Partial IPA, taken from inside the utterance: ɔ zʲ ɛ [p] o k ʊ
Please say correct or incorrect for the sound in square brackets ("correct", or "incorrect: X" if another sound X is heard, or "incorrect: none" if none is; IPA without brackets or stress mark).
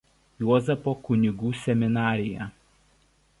correct